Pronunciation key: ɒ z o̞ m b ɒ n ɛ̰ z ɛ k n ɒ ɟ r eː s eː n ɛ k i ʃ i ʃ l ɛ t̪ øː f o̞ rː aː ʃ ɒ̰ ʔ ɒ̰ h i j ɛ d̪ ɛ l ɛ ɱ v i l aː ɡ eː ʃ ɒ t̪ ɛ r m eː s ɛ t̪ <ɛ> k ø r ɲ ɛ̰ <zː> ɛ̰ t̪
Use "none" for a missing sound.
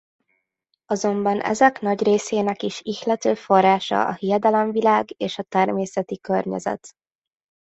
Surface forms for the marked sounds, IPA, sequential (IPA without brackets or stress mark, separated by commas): i, z